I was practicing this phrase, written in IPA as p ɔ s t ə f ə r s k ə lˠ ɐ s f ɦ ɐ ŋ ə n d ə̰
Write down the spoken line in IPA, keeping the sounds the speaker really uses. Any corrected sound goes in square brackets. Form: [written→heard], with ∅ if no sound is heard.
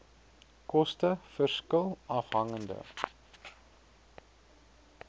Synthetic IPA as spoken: [p→k] ɔ s t ə f ə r s k ə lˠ ɐ [s→∅] f ɦ ɐ ŋ ə n d ə̰